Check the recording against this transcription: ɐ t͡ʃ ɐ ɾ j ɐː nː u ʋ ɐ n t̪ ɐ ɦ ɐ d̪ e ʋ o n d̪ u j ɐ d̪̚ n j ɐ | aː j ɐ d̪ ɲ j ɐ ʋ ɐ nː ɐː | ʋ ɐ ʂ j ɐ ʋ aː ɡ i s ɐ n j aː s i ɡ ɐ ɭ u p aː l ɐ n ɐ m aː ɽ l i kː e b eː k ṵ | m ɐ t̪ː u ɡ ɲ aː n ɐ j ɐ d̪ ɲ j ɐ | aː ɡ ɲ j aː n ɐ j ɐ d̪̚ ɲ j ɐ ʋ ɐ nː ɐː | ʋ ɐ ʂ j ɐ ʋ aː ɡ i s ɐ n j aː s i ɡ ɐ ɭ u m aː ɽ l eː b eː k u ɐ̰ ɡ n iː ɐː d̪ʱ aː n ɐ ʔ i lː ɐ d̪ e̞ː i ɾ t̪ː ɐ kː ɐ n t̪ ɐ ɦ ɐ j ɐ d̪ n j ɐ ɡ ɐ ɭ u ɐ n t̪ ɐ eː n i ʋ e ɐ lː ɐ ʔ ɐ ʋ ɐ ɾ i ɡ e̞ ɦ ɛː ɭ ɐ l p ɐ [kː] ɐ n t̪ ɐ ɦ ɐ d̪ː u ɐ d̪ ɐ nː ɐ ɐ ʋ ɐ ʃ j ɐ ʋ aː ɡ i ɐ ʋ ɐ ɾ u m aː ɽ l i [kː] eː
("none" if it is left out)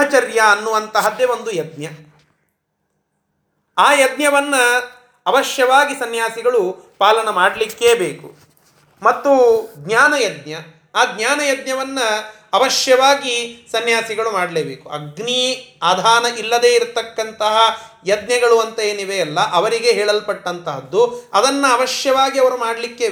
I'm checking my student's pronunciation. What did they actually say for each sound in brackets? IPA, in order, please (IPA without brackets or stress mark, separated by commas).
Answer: ʈː, kː